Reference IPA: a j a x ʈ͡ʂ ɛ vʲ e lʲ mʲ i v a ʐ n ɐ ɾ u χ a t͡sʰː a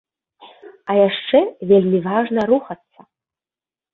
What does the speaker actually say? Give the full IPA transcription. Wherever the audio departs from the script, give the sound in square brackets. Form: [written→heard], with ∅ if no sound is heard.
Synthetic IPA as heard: a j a [x→ʂ] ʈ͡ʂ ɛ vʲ e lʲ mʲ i v a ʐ n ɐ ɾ u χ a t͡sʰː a